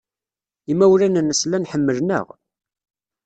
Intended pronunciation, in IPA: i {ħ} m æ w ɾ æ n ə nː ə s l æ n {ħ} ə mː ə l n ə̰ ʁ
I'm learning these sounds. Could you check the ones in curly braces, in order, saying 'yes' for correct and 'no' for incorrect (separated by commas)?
no, yes